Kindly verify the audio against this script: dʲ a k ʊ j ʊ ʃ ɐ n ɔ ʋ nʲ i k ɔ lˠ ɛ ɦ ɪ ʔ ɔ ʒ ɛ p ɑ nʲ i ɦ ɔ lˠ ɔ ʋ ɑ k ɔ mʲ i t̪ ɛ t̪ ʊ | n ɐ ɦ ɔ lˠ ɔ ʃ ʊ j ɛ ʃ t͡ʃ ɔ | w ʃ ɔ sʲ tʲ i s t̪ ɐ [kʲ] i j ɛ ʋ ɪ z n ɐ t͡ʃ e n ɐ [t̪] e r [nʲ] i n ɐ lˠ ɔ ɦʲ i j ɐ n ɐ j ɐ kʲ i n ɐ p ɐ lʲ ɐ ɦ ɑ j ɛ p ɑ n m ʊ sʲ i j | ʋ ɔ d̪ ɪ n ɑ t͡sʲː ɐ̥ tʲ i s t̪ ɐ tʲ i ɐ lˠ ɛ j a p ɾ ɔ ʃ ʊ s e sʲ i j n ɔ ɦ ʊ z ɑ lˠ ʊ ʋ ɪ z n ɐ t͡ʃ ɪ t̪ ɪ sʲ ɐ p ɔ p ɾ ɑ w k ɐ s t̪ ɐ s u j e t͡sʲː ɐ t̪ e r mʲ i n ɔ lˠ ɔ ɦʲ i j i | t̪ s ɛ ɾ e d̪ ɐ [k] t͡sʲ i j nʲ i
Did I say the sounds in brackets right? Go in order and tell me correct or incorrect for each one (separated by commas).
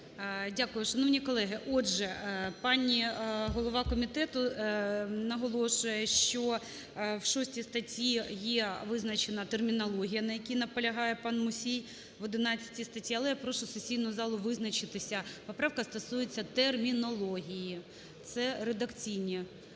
incorrect, correct, incorrect, correct